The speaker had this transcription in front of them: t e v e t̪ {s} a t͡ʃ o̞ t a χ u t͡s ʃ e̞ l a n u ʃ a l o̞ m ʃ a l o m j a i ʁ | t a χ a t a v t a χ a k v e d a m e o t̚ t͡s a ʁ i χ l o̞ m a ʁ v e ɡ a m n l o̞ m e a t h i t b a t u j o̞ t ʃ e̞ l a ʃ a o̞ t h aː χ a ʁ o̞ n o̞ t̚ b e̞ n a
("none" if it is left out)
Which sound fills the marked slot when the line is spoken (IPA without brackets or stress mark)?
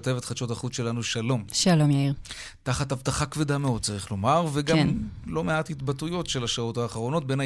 χ